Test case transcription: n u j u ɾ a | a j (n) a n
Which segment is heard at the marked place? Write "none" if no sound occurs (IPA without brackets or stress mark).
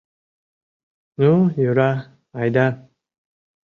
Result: d